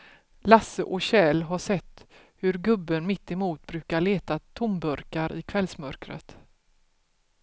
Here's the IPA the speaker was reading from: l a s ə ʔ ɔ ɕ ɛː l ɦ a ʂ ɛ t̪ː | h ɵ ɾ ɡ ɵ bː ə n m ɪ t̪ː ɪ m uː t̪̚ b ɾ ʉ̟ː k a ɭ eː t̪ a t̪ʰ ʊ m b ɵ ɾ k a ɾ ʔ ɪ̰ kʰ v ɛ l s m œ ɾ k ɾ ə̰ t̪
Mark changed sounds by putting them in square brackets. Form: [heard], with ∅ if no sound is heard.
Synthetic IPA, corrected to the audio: l a s ə ʔ ɔ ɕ ɛː l ɦ a ʂ ɛ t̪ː | h ɵ ɾ ɡ ɵ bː ə n m ɪ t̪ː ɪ m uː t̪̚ b ɾ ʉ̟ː k a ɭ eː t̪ a t̪ʰ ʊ m b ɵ ɾ k a ɾ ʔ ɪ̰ kʰ v ɛ l s m œ ɾ k ɾ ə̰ t̪